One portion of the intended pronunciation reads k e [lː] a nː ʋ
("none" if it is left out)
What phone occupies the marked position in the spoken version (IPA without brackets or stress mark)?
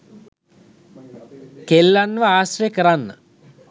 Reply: lː